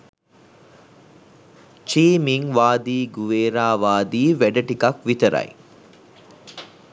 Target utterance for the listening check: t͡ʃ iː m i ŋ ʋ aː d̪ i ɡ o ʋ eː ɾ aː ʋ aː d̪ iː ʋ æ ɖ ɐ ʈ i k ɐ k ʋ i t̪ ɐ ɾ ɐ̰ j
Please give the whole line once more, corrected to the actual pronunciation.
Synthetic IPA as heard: t͡ʃ iː m i ŋ ʋ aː d̪ iː ɡ u ʋ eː ɾ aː ʋ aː d̪ iː ʋ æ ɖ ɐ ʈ i k ɐ k ʋ i t̪ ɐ ɾ ɐ̰ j